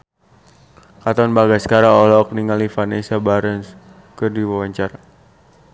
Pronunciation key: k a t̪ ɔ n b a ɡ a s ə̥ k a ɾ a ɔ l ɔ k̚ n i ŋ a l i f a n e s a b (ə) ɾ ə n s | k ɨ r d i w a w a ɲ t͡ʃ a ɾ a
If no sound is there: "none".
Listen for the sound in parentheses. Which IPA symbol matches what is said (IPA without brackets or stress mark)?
a